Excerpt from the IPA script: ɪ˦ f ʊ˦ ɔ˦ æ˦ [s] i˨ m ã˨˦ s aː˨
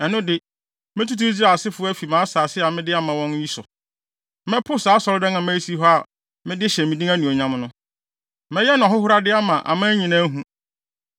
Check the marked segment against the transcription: incorrect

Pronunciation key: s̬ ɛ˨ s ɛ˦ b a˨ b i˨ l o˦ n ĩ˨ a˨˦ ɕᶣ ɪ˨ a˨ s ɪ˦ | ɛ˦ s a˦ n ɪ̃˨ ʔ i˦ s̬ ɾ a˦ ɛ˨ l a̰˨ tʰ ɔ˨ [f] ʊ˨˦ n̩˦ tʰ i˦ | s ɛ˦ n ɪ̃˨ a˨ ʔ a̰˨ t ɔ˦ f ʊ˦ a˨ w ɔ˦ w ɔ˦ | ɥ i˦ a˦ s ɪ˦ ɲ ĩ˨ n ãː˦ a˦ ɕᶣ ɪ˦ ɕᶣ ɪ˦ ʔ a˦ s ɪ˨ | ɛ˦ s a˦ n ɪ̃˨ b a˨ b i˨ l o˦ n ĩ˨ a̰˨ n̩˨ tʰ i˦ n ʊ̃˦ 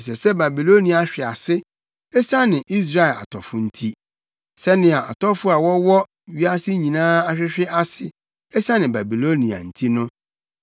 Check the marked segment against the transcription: correct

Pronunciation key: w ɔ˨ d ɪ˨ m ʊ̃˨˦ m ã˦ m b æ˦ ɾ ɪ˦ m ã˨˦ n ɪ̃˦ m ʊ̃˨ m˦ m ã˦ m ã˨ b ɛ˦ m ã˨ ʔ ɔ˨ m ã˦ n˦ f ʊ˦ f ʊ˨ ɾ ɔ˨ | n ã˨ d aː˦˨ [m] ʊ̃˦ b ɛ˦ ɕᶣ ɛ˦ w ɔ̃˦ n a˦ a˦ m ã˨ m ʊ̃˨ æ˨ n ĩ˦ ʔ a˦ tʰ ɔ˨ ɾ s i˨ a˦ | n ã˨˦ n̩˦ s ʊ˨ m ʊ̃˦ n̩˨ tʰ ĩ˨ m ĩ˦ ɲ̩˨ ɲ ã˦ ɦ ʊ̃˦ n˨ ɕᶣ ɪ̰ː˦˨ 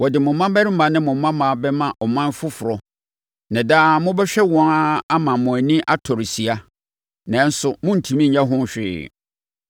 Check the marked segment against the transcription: correct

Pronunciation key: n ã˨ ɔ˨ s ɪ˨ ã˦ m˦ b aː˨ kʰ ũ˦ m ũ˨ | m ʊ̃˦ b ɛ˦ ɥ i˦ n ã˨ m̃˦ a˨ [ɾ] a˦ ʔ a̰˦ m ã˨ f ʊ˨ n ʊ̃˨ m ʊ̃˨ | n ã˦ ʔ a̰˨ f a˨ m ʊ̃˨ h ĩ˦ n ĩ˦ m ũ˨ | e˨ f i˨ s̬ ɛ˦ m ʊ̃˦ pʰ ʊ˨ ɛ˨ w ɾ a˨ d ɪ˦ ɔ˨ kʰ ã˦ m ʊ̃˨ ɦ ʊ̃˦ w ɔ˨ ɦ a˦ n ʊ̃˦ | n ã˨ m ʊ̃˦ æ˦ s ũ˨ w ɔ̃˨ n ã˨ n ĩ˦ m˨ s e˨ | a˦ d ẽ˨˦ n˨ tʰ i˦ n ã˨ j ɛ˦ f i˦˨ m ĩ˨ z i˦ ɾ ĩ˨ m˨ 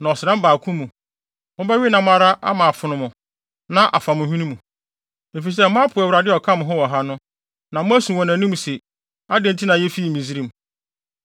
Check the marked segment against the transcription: correct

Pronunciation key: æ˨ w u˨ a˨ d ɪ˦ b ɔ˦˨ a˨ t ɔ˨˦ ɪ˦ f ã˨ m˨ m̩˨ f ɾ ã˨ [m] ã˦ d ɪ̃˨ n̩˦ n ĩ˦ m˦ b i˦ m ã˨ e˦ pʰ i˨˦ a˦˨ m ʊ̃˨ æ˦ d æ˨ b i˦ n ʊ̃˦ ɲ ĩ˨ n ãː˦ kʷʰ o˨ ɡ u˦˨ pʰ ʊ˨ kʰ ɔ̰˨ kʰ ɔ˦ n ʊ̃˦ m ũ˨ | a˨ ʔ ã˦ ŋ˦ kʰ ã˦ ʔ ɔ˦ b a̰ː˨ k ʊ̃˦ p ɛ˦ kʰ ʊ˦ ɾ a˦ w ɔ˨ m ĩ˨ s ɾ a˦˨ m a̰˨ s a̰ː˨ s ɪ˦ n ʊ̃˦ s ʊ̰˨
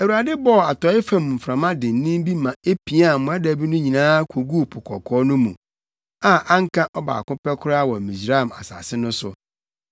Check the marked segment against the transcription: correct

